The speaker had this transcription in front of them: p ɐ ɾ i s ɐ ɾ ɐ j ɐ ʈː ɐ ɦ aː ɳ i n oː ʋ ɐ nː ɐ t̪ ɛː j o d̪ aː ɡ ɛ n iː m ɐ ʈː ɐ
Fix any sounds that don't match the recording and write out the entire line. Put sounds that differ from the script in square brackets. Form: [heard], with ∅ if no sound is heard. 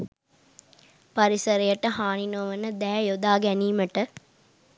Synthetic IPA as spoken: p ɐ ɾ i s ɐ ɾ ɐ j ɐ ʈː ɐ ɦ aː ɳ i n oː ʋ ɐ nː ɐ [d̪] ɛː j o d̪ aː ɡ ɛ n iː m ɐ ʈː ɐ